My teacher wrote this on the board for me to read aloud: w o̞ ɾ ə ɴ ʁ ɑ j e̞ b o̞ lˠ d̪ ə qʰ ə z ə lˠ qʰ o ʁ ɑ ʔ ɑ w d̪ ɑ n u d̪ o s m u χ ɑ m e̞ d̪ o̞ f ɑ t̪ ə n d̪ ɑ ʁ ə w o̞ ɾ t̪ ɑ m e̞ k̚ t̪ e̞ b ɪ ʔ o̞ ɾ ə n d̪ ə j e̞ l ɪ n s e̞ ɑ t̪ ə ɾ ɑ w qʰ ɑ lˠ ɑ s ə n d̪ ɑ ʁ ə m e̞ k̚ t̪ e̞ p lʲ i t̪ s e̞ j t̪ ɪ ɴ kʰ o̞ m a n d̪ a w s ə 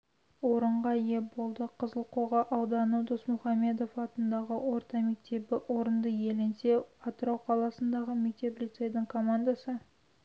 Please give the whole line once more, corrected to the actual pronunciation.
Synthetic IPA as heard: w o̞ ɾ ə ɴ ʁ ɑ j e̞ b o̞ lˠ d̪ ə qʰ ə z ə lˠ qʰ o ʁ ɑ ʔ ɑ w d̪ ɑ n u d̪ o s m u χ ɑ m e̞ d̪ o̞ f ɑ t̪ ə n d̪ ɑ ʁ ə w o̞ ɾ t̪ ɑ m e̞ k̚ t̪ e̞ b ɪ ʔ o̞ ɾ ə n d̪ ə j e̞ l ɪ n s e̞ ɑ t̪ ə ɾ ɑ w qʰ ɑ lˠ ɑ s ə n d̪ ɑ ʁ ə m e̞ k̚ t̪ e̞ p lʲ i t̪ s e̞ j d̪ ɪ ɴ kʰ o̞ m a n d̪ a s ə